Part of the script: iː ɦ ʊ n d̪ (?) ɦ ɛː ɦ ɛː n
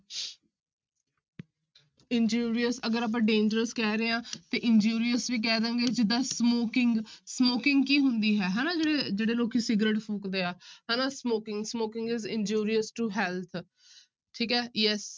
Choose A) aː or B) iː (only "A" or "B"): B